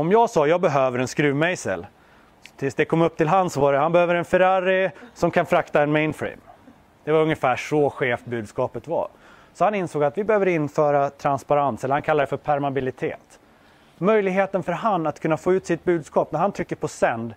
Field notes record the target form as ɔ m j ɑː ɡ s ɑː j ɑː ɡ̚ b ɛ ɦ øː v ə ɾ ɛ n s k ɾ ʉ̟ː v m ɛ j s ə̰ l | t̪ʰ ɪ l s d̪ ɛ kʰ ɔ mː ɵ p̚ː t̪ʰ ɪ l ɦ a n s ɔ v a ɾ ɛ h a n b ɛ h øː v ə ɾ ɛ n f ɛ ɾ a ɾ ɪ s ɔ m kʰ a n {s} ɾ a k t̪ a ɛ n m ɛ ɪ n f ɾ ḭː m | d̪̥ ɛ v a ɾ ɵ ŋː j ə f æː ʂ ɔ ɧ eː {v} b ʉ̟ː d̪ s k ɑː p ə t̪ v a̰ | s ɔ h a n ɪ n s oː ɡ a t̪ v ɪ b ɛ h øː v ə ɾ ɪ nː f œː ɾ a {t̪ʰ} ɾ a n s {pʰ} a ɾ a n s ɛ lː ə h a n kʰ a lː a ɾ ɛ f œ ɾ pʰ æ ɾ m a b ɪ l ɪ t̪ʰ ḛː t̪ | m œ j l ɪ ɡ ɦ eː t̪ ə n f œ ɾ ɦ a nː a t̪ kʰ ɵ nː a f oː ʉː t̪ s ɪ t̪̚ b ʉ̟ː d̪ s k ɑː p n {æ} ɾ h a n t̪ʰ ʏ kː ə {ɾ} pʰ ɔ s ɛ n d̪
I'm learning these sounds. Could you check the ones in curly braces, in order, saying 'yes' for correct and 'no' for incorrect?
no, no, yes, no, yes, yes

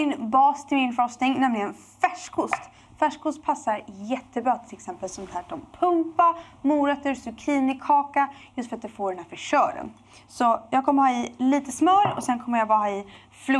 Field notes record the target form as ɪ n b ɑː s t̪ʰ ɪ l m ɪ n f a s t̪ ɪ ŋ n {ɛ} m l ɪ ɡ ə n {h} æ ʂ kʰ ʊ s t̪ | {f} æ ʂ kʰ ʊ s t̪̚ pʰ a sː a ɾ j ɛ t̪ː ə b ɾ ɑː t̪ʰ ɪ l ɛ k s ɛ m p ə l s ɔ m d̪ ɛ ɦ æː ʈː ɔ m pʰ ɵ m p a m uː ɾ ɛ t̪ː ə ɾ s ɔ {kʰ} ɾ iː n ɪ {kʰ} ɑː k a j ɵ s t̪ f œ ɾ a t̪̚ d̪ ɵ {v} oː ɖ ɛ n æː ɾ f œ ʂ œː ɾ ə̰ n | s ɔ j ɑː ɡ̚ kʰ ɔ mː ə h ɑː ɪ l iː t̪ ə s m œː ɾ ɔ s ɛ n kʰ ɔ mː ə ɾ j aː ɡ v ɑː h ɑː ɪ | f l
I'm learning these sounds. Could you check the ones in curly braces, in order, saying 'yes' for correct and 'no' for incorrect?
yes, no, yes, yes, yes, no

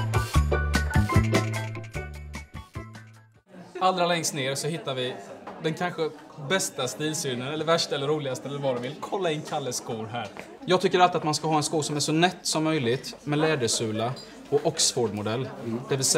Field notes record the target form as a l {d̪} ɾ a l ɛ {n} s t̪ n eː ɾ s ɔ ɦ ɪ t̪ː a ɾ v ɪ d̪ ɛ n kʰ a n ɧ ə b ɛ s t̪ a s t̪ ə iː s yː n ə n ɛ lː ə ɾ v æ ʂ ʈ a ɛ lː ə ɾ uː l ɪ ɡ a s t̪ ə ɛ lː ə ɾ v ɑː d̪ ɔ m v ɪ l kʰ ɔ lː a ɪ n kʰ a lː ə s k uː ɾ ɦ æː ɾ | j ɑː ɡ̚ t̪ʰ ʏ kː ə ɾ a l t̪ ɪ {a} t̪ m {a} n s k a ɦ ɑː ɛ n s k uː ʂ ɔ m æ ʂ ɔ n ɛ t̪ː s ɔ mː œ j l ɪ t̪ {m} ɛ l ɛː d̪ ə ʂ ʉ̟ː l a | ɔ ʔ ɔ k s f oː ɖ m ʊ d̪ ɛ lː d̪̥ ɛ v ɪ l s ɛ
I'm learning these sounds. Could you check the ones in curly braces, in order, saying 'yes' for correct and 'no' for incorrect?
yes, no, yes, yes, yes

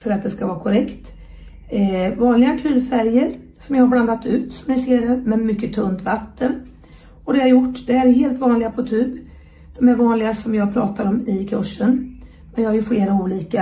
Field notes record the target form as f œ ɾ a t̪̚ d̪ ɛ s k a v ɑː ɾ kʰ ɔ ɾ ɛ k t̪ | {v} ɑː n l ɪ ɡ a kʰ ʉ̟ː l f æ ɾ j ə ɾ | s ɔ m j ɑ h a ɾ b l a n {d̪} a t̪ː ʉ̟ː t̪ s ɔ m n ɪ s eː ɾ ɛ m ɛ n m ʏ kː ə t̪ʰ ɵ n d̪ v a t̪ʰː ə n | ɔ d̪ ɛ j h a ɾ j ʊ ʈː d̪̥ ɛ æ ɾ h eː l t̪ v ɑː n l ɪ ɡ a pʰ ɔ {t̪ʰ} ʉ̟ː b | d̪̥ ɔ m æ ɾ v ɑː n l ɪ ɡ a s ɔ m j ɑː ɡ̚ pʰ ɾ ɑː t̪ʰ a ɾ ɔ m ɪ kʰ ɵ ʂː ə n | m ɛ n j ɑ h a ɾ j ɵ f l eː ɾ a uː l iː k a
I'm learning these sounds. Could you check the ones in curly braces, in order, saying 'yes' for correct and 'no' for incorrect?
yes, yes, yes

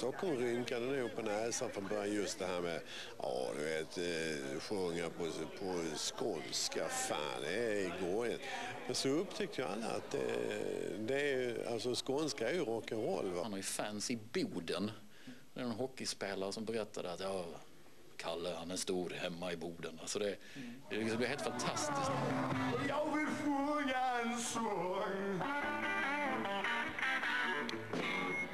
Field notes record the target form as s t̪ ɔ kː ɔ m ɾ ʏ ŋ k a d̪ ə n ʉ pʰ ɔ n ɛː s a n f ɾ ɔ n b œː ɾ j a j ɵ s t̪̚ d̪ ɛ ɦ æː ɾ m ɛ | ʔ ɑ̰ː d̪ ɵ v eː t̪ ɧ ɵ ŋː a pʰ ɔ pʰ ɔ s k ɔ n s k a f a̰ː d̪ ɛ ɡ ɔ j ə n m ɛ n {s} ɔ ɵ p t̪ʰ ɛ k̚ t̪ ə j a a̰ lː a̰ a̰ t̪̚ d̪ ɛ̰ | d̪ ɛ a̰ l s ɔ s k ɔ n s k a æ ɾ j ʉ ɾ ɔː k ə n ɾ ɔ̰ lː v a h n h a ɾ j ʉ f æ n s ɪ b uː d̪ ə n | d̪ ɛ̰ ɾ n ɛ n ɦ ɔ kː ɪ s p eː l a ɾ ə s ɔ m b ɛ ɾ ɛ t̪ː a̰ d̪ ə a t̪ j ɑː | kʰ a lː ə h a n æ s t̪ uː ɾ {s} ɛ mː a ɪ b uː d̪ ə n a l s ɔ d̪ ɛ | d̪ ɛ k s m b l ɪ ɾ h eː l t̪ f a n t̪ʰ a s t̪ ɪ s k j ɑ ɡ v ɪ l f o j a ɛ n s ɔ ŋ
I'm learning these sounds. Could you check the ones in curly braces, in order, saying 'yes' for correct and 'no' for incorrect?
yes, no

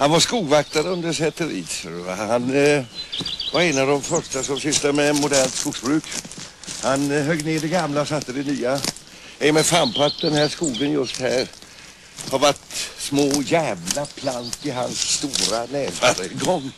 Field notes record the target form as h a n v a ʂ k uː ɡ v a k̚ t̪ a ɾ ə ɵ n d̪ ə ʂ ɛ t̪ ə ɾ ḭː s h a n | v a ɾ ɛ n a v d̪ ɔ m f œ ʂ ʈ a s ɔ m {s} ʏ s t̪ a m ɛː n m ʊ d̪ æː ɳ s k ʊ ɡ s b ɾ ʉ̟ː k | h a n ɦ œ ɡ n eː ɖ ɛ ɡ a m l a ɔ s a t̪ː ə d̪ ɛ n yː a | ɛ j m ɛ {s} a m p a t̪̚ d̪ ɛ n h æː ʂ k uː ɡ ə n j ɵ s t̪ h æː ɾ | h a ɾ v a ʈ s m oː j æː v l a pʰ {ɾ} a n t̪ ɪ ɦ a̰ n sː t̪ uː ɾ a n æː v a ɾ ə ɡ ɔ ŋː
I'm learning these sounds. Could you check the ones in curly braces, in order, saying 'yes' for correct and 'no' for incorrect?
yes, no, no

